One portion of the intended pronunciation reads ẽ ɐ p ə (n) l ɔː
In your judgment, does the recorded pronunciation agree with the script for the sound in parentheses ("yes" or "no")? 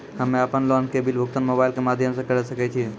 yes